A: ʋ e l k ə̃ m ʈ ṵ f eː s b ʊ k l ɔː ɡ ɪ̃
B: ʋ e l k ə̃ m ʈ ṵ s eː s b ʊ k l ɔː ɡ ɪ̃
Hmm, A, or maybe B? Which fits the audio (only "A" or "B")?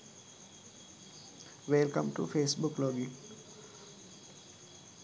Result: A